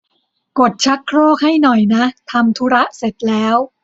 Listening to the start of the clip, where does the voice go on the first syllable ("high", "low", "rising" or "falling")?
low